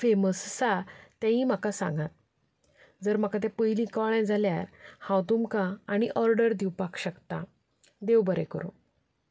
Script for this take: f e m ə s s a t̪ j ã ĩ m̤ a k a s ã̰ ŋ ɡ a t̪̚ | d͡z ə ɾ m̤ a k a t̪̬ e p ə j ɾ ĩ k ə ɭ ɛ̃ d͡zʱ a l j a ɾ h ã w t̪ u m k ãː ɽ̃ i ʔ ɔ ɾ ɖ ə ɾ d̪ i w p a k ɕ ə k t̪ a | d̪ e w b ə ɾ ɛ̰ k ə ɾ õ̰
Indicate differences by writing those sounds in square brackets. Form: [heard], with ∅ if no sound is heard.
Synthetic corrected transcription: f e m ə s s a t̪ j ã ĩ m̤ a k a s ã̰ ŋ ɡ a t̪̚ | d͡z ə ɾ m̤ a k a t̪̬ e p ə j [l] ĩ k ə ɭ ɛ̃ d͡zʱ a l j a ɾ h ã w t̪ u m k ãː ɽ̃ i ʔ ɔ ɾ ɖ ə ɾ d̪ i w p a k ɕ ə k t̪ a | d̪ e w b ə ɾ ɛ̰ k ə ɾ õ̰